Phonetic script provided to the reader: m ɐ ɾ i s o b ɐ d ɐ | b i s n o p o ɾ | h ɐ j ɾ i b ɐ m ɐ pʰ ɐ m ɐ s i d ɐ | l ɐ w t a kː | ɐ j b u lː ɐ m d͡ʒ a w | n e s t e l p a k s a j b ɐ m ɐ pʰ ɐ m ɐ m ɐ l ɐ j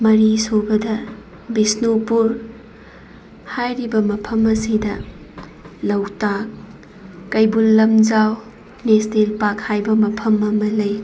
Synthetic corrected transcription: m ɐ ɾ i s o b ɐ d ɐ | b i s n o p u ɾ | h a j ɾ i b ɐ m ɐ pʰ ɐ m ɐ s i d ɐ | l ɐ w t a kː | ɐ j b u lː ɐ m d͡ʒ a w | n e s t e l p a k h a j b ɐ m ɐ pʰ ɐ m ɐ m ɐ l ɐ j